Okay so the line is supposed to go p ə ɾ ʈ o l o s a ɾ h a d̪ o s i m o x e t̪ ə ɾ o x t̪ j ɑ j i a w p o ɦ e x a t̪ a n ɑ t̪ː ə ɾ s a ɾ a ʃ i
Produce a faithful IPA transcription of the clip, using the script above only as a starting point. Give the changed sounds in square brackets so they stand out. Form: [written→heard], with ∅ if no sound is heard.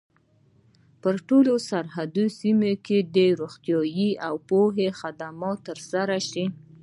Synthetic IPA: p ə ɾ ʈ o l o s a ɾ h a d̪ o s i m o [x→k] e [t̪→d̪] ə ɾ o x t̪ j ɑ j i a w p o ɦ e x a [t̪→d̪] a [n→m] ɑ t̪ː ə ɾ s a ɾ a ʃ i